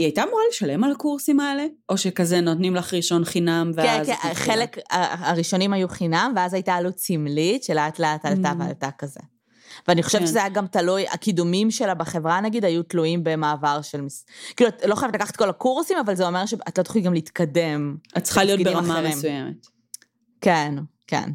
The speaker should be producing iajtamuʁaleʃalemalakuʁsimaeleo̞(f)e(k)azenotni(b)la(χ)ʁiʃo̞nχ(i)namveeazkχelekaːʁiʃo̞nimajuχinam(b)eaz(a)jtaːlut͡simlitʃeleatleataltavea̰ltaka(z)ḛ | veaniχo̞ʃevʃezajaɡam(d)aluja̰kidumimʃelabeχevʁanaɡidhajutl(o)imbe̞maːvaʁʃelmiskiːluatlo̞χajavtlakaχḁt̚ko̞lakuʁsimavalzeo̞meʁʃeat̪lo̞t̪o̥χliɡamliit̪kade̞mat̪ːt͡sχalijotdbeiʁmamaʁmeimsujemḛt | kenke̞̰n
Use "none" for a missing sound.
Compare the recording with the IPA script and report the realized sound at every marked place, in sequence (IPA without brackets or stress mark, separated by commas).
ʃ, k, m, χ, i, v, a, z, t, u